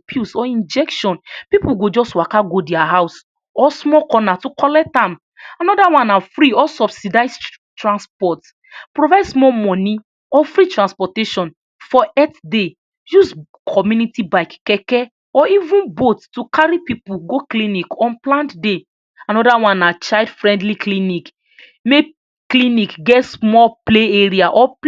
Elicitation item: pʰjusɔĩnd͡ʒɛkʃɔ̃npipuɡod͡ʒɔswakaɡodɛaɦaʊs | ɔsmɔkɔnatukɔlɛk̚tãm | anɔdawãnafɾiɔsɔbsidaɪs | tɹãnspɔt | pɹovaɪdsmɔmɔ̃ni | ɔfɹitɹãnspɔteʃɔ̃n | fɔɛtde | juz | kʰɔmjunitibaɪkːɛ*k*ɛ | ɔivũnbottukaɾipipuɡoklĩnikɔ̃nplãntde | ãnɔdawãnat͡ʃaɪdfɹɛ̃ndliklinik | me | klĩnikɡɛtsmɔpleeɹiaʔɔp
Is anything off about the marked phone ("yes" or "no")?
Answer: no